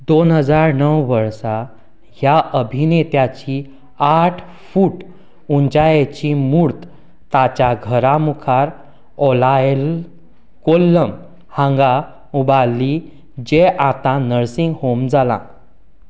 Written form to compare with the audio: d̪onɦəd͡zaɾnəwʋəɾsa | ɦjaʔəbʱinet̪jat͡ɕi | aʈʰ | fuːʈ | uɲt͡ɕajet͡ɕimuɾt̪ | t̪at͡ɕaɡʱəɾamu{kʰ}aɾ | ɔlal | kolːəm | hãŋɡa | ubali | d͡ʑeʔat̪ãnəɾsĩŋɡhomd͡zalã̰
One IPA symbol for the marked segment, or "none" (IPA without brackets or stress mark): kʰ